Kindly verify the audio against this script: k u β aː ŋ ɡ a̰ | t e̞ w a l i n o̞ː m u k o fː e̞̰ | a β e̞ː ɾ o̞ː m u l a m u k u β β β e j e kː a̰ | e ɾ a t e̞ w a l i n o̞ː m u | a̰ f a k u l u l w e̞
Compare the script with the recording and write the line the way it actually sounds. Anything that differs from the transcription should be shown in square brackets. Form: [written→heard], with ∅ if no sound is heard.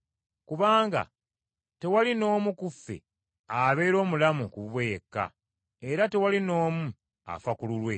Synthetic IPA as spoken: k u β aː ŋ ɡ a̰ | t e̞ w a l i n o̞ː m u k [o→u] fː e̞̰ | a β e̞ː ɾ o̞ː m u l a m u k u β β [β→w] e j e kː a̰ | e ɾ a t e̞ w a l i n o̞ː m u | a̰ f a k u l u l w e̞